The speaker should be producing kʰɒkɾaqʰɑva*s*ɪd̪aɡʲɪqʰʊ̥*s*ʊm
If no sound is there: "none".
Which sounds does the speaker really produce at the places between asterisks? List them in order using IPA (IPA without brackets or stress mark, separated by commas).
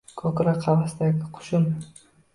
s, ʃ